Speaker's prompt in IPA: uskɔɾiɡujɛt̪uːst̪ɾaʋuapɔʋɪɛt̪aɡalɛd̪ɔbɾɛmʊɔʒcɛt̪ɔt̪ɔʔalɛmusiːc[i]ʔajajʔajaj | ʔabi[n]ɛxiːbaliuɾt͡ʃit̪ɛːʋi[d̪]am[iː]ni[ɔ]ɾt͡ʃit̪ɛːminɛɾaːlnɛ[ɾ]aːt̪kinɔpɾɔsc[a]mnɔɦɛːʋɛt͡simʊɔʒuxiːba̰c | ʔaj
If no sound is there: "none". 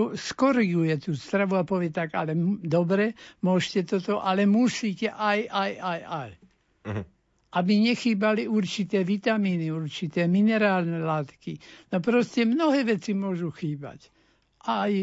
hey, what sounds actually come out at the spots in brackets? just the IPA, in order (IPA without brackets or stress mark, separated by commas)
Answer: ɛ, ɲ, t̪, iː, u, l, ɛ